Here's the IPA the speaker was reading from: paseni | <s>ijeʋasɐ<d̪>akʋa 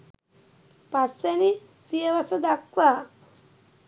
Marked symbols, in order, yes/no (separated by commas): yes, yes